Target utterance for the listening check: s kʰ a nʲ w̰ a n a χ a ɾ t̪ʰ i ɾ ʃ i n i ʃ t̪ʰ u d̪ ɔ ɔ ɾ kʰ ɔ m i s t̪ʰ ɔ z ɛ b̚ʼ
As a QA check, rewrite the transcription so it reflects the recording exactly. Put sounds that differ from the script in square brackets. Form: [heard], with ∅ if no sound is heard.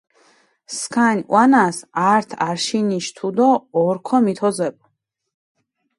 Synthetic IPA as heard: s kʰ a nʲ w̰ a n a [s] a ɾ t̪ʰ [a] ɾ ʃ i n i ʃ t̪ʰ u d̪ ɔ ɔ ɾ kʰ ɔ m i [∅] t̪ʰ ɔ z ɛ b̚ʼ